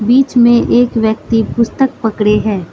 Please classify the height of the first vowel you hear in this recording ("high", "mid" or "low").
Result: high